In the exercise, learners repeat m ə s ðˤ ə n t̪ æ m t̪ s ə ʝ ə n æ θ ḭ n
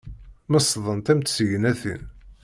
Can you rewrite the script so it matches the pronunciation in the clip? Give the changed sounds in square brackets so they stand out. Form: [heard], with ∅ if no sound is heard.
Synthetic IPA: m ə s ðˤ ə n t̪ æ m t̪ s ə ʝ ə n æ θ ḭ n